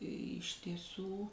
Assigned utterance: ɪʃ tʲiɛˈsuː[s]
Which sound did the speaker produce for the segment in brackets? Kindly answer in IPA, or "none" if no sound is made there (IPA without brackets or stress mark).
none